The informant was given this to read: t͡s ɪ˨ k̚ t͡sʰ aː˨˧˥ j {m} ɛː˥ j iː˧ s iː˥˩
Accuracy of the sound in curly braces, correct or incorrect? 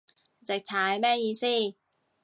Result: correct